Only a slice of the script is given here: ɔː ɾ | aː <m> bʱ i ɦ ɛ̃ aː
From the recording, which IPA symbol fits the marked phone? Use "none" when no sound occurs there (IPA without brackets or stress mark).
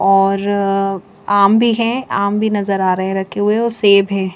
m